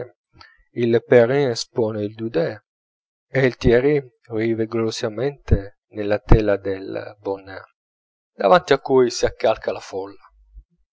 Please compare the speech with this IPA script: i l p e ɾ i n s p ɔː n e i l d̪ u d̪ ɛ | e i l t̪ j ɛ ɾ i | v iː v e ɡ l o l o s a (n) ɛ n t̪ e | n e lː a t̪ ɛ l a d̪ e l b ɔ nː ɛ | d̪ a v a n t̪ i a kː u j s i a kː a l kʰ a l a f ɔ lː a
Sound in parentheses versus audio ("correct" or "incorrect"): incorrect